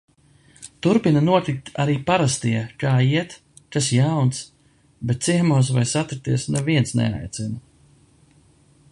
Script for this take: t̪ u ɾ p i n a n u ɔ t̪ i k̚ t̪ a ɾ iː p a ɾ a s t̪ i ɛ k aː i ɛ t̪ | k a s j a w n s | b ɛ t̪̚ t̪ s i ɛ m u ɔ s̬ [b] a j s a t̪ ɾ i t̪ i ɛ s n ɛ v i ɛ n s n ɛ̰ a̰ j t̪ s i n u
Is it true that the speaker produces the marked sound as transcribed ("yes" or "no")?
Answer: no